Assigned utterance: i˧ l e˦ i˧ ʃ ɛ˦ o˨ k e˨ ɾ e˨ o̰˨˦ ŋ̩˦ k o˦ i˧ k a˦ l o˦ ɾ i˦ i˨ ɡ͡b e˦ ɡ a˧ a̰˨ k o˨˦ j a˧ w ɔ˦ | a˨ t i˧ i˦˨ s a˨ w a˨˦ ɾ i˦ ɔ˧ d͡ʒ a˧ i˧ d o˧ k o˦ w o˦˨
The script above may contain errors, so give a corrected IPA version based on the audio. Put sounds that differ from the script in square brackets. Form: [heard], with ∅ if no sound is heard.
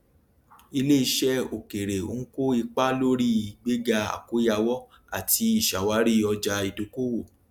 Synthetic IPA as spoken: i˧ l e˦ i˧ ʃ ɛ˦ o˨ k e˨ ɾ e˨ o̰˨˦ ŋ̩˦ k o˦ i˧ [k͡p] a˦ l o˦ ɾ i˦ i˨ ɡ͡b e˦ ɡ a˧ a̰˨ k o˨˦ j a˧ w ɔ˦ | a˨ t i˧ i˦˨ [ʃ] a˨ w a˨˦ ɾ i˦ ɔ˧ d͡ʒ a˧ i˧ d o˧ k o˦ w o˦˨